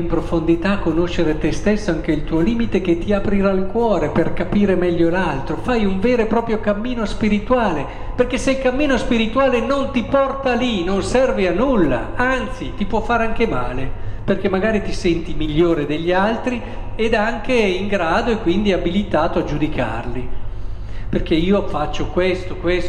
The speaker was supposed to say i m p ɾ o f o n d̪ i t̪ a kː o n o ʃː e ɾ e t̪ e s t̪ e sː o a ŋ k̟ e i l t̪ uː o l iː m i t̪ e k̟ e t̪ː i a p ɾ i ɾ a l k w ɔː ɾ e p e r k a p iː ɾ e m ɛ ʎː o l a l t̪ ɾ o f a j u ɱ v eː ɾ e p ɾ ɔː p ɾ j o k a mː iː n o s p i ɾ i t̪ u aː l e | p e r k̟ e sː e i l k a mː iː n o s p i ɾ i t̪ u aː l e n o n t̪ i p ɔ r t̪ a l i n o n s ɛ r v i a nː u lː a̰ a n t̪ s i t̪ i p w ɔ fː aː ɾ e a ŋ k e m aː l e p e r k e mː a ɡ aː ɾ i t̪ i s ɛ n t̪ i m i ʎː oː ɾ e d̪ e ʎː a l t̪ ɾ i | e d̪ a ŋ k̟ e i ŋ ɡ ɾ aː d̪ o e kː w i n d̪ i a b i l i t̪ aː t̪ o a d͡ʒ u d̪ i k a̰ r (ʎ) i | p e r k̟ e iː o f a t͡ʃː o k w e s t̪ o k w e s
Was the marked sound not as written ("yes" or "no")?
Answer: yes